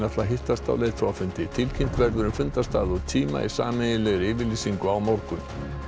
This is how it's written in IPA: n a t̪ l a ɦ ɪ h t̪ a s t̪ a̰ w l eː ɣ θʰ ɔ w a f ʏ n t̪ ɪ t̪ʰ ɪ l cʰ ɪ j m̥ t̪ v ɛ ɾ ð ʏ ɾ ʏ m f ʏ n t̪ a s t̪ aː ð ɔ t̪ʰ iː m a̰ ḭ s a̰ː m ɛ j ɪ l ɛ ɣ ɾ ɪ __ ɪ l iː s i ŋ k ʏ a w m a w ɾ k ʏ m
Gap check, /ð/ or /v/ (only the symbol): v